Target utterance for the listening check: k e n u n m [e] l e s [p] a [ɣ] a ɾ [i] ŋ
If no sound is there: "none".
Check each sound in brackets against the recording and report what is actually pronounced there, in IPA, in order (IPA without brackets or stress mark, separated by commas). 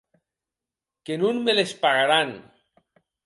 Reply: e, p, ɣ, a